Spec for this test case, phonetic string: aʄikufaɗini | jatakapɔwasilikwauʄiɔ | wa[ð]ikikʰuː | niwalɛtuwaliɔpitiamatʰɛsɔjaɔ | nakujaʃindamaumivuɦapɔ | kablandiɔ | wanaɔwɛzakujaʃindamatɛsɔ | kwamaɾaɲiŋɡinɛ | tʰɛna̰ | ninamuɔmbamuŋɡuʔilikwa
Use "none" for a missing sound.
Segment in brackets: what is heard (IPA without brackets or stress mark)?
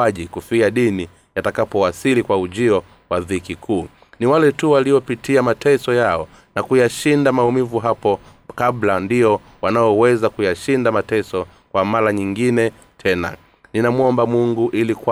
ð